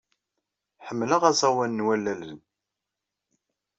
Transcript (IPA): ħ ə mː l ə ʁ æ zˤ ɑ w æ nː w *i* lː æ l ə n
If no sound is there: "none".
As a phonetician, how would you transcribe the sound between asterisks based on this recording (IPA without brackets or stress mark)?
æ